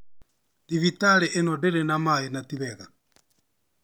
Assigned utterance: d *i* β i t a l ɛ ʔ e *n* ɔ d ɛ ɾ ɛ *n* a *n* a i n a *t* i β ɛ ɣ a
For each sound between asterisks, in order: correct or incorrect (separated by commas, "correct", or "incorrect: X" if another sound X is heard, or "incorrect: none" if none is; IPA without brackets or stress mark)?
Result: correct, correct, correct, incorrect: m, correct